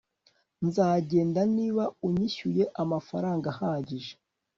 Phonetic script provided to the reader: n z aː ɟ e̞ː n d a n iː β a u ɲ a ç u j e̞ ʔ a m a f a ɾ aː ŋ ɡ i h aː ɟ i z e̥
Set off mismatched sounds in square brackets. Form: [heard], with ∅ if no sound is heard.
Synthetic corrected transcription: n z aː ɟ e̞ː n d a n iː β a u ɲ [i] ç u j e̞ ʔ a m a f a ɾ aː ŋ ɡ [a] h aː ɟ i [ʒ] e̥